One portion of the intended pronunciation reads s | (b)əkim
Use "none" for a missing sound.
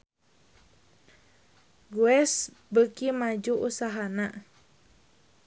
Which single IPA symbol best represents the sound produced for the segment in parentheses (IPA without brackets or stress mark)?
b